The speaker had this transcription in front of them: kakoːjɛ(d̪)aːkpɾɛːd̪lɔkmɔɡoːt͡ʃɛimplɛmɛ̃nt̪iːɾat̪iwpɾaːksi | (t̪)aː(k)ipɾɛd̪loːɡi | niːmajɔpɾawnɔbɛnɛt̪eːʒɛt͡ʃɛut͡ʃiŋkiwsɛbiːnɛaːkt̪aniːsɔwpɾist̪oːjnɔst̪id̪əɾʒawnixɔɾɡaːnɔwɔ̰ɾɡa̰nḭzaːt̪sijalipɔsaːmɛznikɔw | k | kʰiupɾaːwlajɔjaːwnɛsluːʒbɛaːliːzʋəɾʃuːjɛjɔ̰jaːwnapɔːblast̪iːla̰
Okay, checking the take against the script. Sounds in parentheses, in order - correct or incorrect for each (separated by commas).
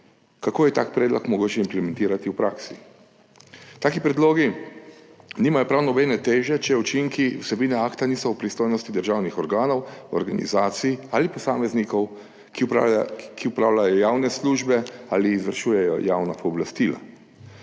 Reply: incorrect, correct, correct